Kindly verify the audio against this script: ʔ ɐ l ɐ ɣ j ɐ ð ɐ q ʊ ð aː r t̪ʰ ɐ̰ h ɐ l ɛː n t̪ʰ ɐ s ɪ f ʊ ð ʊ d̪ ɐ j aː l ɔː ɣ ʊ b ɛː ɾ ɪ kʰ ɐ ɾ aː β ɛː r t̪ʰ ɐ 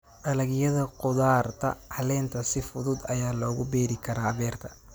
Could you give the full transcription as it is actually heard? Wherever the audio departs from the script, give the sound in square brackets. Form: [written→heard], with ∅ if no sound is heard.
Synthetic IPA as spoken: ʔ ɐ l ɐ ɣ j ɐ ð ɐ q ʊ ð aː r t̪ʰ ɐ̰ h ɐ l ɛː n t̪ʰ ɐ s ɪ f ʊ ð ʊ d̪ ɐ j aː l ɔː ɣ ʊ b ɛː ɾ ɪ kʰ ɐ ɾ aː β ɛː r t̪ʰ ɐ